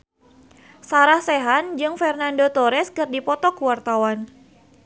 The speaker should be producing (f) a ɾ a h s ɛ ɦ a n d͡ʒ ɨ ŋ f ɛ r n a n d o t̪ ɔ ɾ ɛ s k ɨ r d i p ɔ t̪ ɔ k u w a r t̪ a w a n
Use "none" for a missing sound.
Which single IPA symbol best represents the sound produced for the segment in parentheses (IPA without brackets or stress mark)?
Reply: s